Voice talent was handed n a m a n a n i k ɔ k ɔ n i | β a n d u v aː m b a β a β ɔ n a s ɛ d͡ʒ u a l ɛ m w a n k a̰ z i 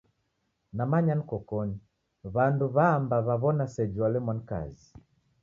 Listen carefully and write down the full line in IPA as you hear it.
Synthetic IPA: n a m a ɲ a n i k ɔ k ɔ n i | β a n d u β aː m b a β a β ɔ n a s ɛ d͡ʒ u a l ɛ m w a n k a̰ z i